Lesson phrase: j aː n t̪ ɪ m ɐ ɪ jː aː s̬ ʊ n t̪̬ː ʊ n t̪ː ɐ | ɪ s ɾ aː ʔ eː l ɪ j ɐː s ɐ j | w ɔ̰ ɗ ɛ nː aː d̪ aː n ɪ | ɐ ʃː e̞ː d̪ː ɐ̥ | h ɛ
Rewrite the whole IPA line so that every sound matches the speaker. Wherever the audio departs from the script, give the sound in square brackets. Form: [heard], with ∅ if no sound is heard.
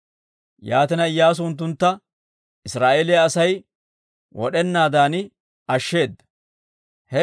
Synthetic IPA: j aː [∅] t̪ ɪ [n] ɐ ɪ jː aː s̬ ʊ n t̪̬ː ʊ n t̪ː ɐ | ɪ s ɾ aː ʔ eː l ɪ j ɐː s ɐ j | w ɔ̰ ɗ ɛ nː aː d̪ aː n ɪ | ɐ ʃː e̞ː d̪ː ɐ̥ | h ɛ